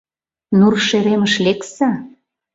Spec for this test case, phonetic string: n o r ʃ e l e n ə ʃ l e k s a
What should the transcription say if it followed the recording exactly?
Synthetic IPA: n u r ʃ e ɾ e m ə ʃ l e k s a